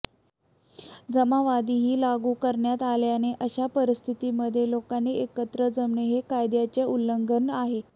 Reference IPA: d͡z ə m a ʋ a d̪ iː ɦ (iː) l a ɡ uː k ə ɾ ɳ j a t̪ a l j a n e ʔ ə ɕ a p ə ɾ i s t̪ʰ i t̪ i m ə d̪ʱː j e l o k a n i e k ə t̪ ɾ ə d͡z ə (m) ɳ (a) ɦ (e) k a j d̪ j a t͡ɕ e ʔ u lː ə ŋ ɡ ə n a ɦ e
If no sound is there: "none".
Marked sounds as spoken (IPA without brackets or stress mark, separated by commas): iː, m, e, e